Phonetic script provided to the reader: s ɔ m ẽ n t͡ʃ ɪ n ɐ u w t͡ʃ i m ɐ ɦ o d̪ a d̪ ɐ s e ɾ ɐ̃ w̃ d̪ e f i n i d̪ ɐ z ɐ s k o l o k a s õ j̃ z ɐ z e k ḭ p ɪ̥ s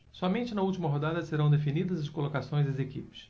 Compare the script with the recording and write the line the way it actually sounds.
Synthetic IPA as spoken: s ɔ m ẽ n t͡ʃ ɪ n ɐ u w t͡ʃ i m ɐ ɦ o d̪ a d̪ ɐ s e ɾ ɐ̃ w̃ d̪ e f i n i d̪ ɐ z ɐ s k o l o k a s õ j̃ z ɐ z e k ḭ p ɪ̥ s